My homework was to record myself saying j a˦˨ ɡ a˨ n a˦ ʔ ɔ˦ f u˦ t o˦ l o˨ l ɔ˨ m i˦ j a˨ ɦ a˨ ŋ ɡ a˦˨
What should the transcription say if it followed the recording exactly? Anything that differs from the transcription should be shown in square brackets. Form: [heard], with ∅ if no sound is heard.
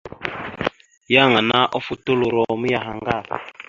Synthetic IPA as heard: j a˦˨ [ŋ] a˨ n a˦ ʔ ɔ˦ f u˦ t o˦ l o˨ [ɾ] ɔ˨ m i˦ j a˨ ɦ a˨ ŋ ɡ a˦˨